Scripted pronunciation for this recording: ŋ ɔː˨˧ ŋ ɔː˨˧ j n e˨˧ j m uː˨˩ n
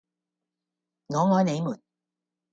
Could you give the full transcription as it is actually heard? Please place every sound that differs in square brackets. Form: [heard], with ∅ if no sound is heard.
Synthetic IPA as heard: ŋ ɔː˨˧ ŋ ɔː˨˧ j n e˨˧ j m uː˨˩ n